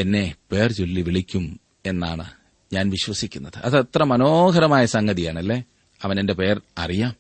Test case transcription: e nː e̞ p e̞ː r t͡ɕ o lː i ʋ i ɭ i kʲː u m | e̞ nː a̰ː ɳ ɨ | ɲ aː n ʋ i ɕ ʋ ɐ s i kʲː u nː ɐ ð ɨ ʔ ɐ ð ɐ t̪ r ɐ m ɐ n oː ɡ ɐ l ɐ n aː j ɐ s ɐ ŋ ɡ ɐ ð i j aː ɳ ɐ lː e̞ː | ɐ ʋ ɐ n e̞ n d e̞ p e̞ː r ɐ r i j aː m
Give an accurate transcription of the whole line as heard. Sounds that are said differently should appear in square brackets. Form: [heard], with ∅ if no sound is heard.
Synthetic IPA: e nː e̞ p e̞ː r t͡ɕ o lː i ʋ i ɭ i kʲː u m | e̞ nː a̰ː ɳ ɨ | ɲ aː n ʋ i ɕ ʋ ɐ s i kʲː u nː ɐ ð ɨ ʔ ɐ ð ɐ t̪ r ɐ m ɐ n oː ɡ ɐ [ɾ] ɐ [m] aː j ɐ s ɐ ŋ ɡ ɐ ð i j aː ɳ ɐ lː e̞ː | ɐ ʋ ɐ n e̞ n d e̞ p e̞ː r ɐ r i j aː m